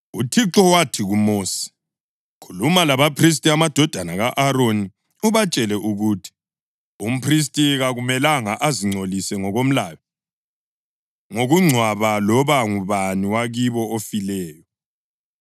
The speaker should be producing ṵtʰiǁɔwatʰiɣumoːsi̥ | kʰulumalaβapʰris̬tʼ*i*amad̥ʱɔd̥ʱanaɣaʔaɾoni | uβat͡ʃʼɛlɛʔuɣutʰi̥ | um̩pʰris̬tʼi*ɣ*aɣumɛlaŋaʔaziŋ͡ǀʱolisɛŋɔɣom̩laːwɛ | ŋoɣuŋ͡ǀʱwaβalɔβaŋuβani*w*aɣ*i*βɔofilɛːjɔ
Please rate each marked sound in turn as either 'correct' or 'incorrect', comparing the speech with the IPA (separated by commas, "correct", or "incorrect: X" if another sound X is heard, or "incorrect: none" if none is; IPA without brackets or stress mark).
correct, correct, correct, correct